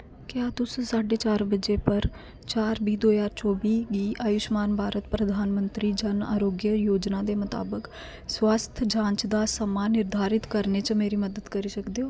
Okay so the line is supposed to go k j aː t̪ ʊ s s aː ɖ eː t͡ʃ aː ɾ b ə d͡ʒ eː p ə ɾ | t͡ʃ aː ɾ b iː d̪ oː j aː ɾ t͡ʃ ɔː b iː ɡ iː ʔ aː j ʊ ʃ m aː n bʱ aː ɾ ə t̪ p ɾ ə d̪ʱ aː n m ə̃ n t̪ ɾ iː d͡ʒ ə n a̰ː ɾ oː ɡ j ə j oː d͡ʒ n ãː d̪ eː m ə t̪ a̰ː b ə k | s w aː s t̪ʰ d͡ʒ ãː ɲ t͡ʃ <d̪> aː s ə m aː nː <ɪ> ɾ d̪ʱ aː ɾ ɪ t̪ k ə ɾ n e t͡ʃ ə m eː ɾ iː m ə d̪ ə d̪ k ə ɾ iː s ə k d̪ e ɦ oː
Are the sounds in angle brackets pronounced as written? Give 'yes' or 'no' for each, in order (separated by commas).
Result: yes, yes